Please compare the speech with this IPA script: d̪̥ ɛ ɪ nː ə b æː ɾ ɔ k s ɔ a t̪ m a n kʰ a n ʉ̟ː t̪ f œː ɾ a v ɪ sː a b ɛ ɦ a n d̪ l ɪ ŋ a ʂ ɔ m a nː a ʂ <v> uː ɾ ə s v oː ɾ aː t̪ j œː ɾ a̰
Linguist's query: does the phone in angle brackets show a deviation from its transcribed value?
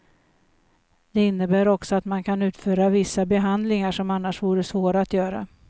no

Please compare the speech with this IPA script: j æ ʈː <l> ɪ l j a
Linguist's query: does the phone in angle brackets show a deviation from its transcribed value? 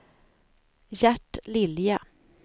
no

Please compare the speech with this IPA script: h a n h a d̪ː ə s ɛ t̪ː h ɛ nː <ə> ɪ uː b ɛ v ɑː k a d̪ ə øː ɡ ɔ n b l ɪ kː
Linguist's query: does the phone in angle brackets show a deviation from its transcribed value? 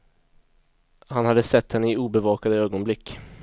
no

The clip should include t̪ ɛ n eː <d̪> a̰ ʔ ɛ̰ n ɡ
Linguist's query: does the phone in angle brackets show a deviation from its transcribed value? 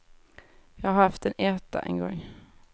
yes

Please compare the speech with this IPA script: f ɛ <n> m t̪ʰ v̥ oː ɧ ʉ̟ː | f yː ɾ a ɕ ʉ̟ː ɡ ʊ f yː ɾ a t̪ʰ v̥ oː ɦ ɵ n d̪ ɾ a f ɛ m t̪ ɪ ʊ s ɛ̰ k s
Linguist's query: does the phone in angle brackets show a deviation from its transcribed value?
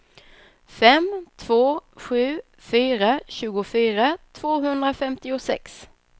yes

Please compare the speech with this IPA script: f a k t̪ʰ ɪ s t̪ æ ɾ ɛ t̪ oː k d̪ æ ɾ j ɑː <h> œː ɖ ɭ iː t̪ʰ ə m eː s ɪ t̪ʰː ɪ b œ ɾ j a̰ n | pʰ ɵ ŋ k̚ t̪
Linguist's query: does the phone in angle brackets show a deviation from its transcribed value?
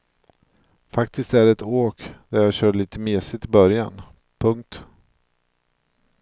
yes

